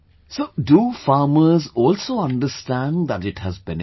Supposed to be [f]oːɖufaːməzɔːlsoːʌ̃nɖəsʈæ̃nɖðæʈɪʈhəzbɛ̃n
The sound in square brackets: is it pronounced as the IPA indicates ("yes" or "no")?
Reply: no